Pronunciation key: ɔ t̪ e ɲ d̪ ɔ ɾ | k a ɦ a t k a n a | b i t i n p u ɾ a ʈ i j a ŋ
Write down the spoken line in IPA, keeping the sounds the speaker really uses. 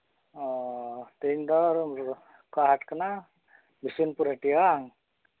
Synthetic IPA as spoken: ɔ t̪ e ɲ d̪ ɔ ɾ | k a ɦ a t k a n a | b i s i n p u ɾ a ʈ i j a ŋ